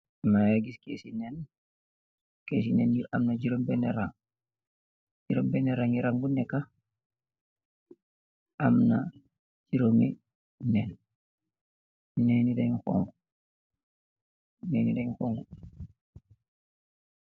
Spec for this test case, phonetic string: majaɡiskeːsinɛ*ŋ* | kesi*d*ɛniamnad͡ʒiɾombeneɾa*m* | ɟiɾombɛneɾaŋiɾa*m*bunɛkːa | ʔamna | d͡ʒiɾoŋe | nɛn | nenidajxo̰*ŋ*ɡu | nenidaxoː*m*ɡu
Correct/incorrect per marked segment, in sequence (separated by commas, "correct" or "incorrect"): incorrect, incorrect, incorrect, incorrect, correct, incorrect